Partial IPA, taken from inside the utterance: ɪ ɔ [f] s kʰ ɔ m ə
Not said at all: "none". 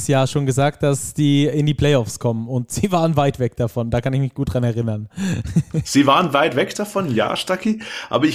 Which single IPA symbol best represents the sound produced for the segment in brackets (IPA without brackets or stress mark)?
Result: f